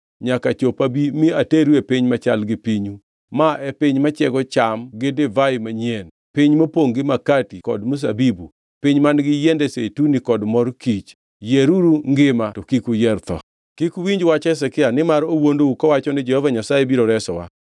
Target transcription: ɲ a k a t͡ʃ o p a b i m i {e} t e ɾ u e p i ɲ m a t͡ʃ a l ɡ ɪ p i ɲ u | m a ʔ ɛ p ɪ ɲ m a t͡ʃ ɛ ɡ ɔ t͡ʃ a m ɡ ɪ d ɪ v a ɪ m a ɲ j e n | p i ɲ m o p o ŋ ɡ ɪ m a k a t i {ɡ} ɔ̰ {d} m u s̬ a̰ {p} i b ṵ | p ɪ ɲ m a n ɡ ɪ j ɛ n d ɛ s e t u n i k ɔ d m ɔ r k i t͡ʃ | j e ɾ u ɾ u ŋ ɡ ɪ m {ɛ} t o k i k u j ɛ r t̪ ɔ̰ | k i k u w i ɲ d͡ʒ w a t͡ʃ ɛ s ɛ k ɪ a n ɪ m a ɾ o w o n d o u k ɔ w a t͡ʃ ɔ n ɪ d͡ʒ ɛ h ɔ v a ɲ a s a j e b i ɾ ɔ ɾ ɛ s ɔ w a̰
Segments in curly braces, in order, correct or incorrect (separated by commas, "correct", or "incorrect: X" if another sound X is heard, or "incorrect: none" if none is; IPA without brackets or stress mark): incorrect: a, incorrect: k, correct, incorrect: b, incorrect: a